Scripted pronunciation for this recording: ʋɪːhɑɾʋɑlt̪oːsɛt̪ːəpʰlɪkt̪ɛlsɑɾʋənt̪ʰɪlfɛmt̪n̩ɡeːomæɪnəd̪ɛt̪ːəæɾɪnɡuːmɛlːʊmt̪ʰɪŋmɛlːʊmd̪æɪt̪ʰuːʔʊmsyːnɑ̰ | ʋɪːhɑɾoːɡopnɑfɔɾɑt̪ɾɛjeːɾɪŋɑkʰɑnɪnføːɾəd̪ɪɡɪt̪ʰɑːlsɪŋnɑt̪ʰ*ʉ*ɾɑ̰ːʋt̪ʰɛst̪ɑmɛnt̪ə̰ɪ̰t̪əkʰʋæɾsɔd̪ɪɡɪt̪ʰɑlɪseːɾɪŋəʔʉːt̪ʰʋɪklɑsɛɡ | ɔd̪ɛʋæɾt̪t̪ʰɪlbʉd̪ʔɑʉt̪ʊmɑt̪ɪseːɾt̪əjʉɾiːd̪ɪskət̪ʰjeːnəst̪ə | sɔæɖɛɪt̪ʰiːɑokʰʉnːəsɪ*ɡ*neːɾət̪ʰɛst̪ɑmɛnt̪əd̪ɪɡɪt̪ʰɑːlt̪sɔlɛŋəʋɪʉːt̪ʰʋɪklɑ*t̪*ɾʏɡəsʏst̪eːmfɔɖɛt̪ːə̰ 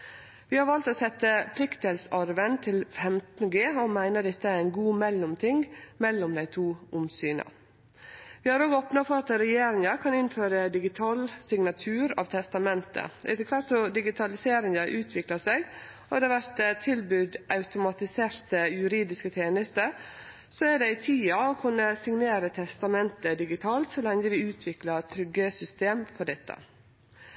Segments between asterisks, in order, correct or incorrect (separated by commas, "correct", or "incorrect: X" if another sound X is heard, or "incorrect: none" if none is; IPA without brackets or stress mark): incorrect: ʉː, incorrect: ŋ, incorrect: t̪ʰ